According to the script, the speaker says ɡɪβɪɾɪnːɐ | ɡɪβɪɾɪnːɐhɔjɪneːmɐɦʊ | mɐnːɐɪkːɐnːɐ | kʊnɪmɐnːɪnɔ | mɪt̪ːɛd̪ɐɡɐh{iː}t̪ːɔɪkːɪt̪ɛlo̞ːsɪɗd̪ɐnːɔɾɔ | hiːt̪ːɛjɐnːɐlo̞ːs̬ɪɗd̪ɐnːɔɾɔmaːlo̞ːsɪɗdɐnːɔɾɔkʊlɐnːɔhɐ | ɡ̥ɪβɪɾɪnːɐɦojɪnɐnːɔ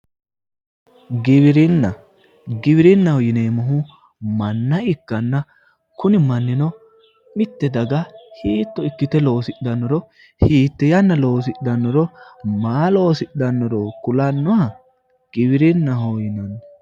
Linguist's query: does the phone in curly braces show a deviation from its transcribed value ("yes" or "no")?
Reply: no